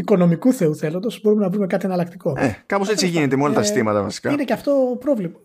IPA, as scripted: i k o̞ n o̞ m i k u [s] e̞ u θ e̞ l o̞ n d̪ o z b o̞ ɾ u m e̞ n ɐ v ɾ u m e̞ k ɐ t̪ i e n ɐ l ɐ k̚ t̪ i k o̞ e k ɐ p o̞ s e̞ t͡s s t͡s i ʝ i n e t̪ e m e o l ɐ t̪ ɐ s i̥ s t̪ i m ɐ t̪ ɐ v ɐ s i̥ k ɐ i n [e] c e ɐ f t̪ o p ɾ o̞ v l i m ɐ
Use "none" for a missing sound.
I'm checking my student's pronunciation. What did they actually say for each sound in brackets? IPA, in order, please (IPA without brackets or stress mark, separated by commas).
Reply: θ, e